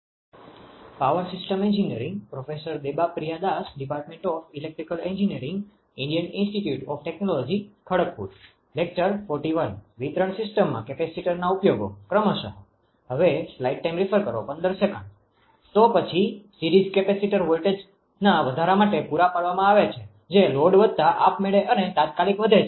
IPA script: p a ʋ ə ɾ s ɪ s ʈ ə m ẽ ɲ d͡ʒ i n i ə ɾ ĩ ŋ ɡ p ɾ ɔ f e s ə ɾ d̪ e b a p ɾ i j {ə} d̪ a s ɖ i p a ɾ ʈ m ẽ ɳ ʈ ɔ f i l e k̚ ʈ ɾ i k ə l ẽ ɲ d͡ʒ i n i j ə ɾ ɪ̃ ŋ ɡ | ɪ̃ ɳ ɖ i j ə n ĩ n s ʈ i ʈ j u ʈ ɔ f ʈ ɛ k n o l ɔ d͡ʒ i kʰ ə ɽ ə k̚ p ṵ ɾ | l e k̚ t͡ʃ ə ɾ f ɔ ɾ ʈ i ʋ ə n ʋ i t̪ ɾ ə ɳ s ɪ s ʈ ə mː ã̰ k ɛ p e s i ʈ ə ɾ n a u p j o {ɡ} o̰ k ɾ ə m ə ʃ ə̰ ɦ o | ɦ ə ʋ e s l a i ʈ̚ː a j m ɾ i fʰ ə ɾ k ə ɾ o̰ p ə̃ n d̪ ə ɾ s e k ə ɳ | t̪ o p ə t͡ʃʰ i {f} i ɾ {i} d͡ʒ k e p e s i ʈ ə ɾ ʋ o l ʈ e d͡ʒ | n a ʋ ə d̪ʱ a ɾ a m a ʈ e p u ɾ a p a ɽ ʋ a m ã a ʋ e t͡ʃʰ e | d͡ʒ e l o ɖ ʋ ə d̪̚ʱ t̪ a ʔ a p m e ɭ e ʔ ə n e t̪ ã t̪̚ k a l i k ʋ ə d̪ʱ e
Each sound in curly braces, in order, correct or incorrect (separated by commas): incorrect, correct, incorrect, correct